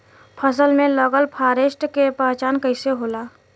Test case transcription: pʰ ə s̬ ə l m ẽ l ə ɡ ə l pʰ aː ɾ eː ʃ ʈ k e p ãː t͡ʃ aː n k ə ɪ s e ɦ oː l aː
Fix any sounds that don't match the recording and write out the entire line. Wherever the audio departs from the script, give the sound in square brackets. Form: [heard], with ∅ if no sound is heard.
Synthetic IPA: pʰ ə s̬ ə l m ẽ l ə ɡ ə l pʰ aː ɾ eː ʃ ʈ k e p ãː t͡ʃ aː n k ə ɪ s e ɦ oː l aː